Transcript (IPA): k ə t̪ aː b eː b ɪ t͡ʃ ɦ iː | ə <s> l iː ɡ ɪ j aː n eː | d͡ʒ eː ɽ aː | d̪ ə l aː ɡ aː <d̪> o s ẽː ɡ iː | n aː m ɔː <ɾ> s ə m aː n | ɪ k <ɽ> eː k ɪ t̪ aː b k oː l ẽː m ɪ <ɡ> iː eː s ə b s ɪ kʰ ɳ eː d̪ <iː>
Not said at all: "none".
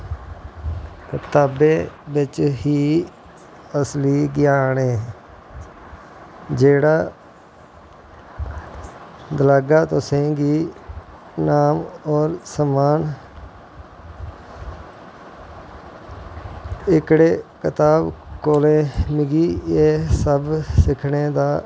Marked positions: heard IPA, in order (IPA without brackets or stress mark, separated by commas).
s, t̪, ɾ, ɽ, ɡ, aː